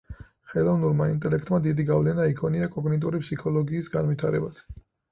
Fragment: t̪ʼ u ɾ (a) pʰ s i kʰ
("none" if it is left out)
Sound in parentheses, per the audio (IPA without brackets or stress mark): i